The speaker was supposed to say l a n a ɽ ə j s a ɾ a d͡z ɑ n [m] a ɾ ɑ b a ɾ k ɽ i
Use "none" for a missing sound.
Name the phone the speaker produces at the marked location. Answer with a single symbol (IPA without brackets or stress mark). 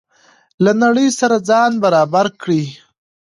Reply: b